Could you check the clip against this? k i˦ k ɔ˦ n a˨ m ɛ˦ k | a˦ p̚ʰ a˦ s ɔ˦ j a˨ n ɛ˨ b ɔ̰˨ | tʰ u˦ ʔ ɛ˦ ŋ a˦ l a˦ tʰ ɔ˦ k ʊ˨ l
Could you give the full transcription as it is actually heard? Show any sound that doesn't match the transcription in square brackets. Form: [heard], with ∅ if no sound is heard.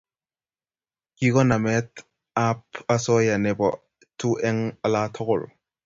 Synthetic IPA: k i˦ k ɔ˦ n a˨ m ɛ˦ [t] | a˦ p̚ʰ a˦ s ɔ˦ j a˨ n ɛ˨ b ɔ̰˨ | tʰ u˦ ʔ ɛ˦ ŋ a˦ l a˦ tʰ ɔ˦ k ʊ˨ l